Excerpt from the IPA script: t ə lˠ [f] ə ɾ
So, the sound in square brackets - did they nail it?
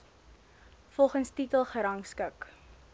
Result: no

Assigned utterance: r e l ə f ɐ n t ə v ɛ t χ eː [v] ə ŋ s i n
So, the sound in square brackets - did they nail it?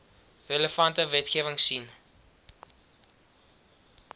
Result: yes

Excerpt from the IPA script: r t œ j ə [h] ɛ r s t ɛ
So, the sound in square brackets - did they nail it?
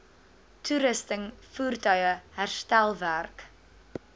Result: yes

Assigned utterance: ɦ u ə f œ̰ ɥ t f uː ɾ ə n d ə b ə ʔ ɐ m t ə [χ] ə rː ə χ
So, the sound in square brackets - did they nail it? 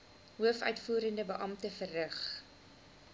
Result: no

